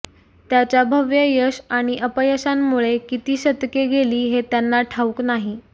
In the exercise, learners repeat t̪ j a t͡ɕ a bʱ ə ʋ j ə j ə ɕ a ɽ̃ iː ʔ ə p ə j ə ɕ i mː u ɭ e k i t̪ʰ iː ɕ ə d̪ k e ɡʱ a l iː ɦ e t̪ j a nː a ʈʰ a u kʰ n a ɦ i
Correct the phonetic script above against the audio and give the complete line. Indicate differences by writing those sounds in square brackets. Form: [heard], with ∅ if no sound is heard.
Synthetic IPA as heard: t̪ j a t͡ɕ a bʱ ə ʋ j ə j ə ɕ a ɽ̃ [i] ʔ ə p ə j ə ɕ [a] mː u ɭ e k i [t̪] iː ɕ ə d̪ k e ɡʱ [e] l iː ɦ e t̪ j a nː a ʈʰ a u [k] n a ɦ i